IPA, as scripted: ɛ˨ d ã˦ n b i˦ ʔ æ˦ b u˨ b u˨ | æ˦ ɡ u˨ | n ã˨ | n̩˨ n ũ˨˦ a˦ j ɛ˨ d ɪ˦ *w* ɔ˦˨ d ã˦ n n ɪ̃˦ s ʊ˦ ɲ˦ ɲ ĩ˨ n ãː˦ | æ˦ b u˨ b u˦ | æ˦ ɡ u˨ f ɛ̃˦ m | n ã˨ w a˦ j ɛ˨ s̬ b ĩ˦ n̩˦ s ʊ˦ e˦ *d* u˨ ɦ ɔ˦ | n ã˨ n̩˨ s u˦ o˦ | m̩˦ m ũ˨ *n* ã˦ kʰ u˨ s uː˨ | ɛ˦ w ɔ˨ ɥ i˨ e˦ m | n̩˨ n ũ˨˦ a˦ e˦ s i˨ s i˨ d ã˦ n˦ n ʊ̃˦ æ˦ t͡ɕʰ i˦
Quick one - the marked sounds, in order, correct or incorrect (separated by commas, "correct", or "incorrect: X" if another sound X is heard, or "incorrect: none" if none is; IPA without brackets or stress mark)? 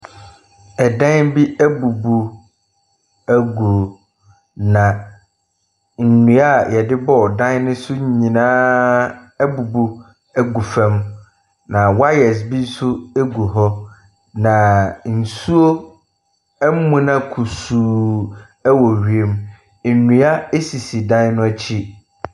incorrect: b, incorrect: ɡ, correct